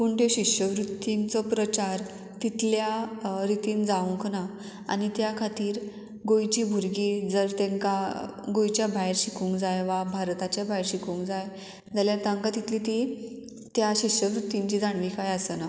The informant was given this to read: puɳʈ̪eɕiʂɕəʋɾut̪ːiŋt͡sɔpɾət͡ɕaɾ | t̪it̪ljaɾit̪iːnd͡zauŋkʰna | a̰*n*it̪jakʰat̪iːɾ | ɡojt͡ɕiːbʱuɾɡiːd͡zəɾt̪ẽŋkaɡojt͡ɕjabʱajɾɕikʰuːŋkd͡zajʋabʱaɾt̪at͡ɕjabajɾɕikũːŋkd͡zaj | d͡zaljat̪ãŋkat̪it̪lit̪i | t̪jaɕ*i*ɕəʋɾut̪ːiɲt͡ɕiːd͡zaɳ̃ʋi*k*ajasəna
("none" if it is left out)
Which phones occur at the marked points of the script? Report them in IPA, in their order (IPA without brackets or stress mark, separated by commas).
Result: n, i, k